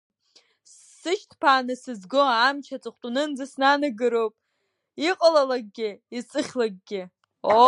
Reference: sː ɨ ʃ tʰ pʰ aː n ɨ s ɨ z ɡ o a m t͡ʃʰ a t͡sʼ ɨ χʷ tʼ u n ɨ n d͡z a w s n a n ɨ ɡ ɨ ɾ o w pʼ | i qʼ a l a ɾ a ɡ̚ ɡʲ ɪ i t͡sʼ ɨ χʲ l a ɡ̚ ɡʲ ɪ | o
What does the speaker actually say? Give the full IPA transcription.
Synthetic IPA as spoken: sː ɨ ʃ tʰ pʰ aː n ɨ s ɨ z ɡ o a m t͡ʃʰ a t͡sʼ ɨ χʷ tʼ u n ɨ n d͡z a s n a n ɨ ɡ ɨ ɾ o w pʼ | i qʼ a l a l a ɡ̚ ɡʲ ɪ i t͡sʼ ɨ χʲ l a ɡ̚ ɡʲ ɪ | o